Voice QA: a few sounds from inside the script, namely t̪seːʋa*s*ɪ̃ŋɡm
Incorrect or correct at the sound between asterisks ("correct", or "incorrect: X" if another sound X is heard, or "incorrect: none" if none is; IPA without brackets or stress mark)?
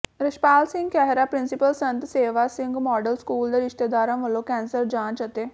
correct